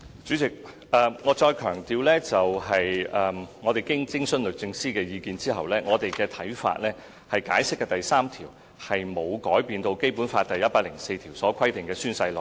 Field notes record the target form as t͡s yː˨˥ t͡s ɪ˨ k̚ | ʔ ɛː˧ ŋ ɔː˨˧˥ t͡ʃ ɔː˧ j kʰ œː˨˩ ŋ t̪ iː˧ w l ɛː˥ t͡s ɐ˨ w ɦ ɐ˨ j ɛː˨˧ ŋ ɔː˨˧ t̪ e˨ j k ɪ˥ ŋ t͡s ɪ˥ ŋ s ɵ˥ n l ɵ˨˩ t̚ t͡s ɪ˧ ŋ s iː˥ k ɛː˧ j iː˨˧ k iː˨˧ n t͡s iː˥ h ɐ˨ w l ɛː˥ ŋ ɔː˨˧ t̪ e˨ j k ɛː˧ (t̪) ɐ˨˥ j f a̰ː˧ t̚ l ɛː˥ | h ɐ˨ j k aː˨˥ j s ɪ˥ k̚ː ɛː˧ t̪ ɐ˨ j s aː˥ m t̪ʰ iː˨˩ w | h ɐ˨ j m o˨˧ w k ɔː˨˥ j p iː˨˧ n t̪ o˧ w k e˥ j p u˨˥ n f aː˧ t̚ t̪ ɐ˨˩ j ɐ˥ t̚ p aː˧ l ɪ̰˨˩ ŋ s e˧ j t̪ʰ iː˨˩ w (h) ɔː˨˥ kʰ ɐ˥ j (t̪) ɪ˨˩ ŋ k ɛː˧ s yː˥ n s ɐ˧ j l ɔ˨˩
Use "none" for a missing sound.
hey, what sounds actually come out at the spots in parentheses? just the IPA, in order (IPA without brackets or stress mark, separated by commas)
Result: t̪ʰ, s, t̪